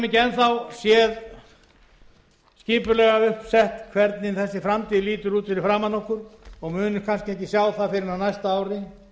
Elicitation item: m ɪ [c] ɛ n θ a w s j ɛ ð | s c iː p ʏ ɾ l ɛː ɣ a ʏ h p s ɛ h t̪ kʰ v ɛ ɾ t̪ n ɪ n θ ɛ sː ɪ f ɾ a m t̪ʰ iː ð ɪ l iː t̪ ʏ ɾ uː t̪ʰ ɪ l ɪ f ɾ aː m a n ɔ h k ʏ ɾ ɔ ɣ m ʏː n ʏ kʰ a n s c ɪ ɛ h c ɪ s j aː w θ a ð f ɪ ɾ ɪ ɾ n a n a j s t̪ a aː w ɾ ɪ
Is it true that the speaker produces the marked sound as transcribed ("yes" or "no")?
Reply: yes